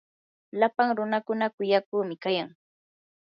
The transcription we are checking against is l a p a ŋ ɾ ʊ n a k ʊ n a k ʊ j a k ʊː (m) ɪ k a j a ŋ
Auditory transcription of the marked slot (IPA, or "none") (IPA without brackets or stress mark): m